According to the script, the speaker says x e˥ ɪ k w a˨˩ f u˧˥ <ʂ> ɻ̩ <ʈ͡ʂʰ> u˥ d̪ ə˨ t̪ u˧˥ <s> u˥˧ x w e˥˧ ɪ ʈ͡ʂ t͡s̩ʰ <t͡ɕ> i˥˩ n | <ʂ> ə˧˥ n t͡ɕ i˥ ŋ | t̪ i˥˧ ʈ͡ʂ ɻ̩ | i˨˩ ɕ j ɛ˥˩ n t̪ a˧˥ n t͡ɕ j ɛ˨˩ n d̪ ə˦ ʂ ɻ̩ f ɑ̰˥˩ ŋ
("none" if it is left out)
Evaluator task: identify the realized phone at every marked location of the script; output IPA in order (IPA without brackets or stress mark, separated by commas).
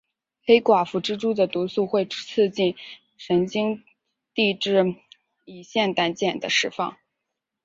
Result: ʈ͡ʂ, ʈ͡ʂ, s, t͡ɕ, ʂ